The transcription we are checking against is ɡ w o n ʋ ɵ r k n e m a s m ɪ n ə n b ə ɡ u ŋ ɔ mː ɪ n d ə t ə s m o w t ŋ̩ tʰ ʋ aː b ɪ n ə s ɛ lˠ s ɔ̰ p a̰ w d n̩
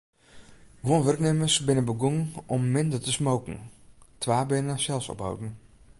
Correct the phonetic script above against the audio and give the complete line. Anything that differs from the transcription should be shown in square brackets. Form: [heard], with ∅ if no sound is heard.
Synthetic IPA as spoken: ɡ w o n ʋ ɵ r k n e m [ə] s [b] ɪ n ə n b ə ɡ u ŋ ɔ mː ɪ n d ə t ə s m o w [k] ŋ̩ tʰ ʋ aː b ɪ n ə s ɛ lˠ s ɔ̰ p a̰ w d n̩